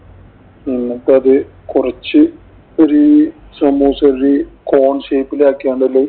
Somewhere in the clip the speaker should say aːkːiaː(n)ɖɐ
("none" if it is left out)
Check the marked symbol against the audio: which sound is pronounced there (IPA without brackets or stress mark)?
ɳ